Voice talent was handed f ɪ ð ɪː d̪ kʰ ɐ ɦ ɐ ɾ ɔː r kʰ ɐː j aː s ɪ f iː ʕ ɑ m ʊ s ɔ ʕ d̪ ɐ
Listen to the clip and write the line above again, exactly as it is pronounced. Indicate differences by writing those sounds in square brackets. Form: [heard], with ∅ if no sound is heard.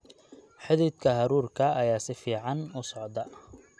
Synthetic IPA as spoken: [ħ] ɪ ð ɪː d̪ kʰ ɐ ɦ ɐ ɾ [uː] r kʰ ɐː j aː s ɪ f iː ʕ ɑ [n] ʊ s ɔ ʕ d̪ ɐ